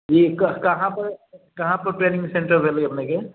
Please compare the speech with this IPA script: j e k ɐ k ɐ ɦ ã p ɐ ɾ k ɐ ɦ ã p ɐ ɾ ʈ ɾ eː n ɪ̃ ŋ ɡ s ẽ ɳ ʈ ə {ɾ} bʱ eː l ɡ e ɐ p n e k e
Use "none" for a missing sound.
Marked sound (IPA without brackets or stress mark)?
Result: ɾ